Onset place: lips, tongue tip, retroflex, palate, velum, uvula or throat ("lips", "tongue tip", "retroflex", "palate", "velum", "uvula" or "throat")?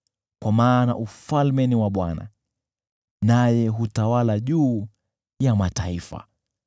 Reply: velum